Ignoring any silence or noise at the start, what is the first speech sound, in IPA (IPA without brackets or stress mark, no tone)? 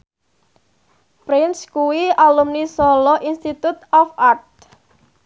p